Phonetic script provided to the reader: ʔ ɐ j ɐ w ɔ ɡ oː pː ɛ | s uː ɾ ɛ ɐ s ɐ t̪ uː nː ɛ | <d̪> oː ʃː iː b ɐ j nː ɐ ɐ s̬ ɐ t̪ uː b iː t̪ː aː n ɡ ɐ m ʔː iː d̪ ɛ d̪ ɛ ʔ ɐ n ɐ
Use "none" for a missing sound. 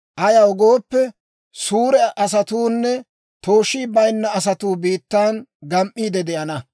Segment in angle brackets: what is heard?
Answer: t̪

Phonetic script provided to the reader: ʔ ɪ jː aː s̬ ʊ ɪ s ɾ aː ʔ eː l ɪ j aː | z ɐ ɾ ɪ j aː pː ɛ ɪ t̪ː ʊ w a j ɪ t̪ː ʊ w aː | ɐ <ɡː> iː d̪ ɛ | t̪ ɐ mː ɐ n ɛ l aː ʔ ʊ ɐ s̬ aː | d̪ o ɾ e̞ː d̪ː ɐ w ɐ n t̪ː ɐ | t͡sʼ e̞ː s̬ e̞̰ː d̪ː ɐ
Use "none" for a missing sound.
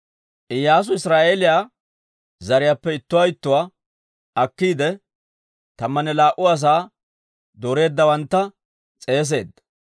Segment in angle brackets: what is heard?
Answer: kː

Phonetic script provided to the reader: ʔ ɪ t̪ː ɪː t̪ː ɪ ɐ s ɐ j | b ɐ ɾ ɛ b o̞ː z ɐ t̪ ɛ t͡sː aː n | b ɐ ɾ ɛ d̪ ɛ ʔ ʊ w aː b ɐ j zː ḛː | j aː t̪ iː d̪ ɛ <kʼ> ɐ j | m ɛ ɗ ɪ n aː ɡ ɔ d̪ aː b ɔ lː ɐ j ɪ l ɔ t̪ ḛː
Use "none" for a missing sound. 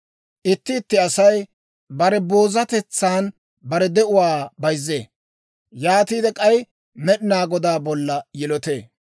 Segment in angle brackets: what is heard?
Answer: kʼ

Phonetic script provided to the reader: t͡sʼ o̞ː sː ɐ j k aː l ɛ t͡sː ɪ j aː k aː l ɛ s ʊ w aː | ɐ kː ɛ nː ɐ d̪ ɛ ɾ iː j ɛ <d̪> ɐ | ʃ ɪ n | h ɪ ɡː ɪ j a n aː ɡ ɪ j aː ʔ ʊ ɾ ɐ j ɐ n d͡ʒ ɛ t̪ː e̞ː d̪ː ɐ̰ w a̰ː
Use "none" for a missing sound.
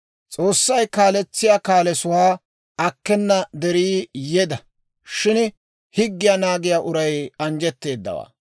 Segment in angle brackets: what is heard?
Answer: d̪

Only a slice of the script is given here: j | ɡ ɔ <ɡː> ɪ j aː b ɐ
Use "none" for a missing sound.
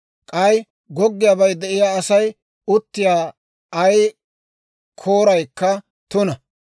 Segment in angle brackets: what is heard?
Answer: ɡː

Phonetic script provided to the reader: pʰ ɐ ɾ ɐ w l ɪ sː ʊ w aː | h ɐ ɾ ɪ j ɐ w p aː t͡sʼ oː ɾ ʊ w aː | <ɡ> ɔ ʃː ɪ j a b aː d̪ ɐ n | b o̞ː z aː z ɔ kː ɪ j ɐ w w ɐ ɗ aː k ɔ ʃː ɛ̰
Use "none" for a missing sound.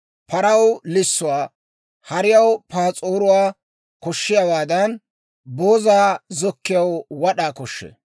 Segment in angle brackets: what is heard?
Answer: k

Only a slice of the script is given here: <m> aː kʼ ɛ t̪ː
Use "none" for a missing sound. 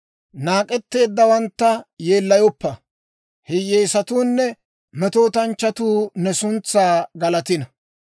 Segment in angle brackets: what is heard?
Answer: n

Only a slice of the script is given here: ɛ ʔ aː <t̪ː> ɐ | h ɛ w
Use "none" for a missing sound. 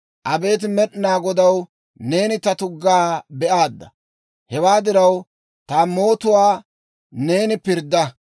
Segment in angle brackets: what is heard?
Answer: d̪ː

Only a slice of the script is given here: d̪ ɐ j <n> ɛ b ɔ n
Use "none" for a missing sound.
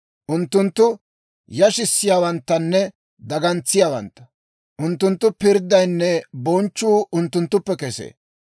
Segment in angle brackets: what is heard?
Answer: nː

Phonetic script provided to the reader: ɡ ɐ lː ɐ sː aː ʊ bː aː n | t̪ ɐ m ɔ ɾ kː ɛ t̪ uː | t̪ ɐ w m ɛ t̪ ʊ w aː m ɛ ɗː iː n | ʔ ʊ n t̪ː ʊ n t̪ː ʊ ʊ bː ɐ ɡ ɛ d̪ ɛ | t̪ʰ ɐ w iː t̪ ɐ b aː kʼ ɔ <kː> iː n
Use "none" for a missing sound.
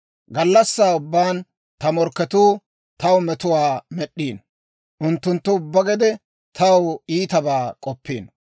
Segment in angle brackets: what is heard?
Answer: pː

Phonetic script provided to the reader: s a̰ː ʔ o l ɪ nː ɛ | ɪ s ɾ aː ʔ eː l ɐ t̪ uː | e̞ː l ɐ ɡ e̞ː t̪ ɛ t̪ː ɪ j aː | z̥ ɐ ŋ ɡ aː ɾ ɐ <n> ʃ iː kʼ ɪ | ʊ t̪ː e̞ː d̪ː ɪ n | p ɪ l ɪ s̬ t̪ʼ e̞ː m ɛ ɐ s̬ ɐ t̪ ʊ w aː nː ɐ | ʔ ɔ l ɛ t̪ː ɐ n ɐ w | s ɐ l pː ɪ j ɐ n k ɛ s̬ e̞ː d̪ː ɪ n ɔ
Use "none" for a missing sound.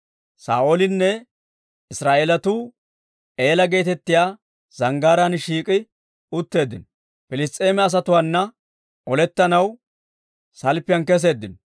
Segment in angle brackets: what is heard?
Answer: n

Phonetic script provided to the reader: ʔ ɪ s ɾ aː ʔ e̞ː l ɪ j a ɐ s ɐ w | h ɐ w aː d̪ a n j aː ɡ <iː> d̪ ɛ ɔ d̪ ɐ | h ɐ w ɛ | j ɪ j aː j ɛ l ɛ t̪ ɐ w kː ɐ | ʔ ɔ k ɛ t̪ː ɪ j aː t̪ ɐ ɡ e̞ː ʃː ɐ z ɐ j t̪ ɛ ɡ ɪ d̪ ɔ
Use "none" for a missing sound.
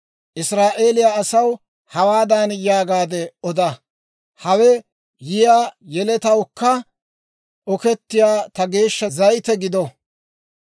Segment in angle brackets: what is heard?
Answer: aː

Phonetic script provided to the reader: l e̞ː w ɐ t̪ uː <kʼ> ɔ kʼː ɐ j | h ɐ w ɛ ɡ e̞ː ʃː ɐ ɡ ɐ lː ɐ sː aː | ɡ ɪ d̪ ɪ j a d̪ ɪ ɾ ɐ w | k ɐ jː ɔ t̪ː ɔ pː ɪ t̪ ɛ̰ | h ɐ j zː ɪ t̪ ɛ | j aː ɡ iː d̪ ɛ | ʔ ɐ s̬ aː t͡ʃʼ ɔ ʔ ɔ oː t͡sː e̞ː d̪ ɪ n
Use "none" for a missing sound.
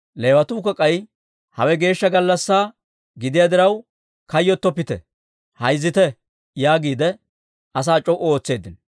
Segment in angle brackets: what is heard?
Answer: k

